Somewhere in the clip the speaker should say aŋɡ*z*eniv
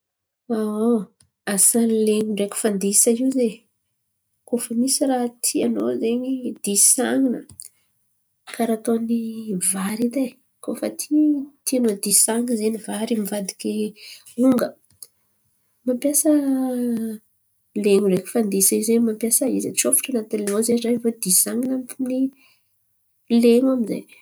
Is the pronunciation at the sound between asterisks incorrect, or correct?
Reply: correct